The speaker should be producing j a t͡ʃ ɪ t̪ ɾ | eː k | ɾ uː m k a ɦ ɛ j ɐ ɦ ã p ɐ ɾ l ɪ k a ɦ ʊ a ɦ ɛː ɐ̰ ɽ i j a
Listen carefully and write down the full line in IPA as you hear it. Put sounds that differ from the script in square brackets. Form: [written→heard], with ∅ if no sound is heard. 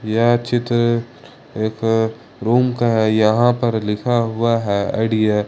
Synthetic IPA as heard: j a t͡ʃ ɪ t̪ ɾ | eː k | ɾ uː m k a ɦ ɛ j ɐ ɦ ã p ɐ ɾ l ɪ [k→kʰ] a ɦ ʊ a ɦ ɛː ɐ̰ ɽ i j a